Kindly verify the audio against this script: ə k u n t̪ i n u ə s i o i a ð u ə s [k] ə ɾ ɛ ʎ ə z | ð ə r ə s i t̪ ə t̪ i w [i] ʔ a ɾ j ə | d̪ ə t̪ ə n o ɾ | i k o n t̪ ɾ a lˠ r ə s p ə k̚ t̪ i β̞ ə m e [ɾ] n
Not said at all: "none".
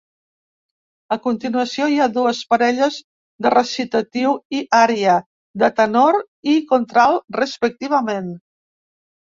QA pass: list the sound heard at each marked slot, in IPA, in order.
p, i, none

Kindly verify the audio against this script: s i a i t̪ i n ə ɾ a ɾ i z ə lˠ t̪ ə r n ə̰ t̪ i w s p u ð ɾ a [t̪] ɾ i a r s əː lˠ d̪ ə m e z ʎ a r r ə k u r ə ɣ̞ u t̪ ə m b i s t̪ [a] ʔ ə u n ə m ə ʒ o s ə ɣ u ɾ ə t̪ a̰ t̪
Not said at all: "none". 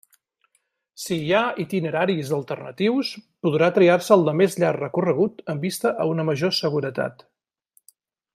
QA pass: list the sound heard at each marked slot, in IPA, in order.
t̪, ə

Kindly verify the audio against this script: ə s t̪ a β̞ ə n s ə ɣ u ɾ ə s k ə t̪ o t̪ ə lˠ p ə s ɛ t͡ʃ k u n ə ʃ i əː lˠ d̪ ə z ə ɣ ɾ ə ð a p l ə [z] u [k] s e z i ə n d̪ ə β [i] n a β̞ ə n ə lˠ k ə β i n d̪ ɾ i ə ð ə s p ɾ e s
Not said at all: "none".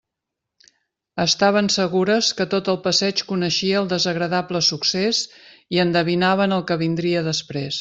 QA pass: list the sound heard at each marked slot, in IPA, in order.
s, k, i

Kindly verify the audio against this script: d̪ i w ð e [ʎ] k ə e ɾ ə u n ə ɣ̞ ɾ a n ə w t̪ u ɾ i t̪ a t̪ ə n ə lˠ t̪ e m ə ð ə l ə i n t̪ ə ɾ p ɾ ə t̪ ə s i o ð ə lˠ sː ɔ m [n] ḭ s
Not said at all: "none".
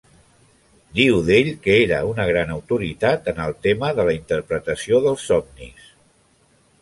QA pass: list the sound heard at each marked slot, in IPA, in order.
ʎ, n

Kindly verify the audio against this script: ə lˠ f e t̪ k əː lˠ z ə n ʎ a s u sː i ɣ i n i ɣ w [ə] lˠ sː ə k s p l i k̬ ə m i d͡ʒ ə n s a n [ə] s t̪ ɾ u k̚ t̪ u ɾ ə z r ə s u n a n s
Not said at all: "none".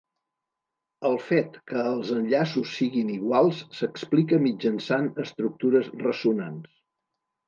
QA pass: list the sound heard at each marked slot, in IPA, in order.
a, ə

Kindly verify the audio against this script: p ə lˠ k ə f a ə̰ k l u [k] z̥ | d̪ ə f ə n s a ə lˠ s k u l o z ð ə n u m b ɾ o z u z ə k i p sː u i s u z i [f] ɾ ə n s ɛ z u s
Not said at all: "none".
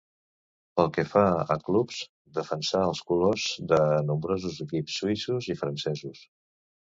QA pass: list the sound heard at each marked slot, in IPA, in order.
p, f

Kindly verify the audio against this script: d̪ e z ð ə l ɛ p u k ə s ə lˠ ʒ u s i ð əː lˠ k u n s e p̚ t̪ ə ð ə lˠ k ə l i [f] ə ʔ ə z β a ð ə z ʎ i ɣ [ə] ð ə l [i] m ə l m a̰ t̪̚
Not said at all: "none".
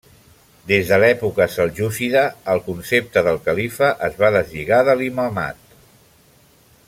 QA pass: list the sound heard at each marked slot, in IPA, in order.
f, a, i

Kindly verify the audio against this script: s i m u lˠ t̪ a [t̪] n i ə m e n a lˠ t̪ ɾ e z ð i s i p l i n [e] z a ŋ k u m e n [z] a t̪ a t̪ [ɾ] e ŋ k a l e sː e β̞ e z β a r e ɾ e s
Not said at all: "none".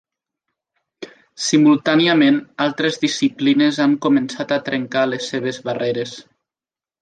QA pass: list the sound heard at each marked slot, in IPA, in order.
none, e, s, ɾ

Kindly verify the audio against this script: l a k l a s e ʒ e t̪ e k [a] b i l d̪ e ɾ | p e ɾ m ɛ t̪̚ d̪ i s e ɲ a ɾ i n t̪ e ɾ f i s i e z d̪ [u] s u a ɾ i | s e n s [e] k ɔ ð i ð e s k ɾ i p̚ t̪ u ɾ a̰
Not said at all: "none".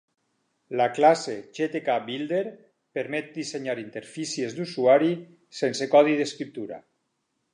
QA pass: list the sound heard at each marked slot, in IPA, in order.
a, u, e

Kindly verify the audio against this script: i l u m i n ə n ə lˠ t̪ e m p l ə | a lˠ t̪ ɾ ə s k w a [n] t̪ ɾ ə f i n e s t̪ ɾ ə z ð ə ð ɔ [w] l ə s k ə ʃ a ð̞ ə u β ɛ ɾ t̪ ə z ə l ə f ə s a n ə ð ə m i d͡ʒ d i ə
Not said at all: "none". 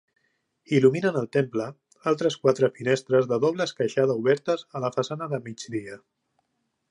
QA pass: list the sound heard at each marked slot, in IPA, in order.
none, β

